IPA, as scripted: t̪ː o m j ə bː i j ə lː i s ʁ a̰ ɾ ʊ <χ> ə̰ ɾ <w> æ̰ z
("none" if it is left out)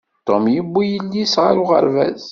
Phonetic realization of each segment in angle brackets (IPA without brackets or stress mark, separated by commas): ʁ, v